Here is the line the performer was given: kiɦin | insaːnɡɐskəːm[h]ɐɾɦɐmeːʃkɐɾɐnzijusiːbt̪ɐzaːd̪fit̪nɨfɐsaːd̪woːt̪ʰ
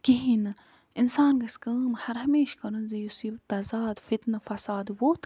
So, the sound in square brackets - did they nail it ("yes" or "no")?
yes